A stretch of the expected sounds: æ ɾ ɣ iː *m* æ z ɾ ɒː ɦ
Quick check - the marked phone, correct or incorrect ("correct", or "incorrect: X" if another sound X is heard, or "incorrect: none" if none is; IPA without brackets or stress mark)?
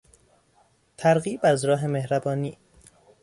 incorrect: b